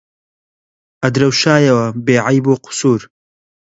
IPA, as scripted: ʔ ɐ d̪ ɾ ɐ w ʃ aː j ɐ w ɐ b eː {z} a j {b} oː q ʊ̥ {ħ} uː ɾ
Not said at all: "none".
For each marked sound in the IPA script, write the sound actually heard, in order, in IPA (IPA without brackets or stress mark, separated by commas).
ʕ, b, s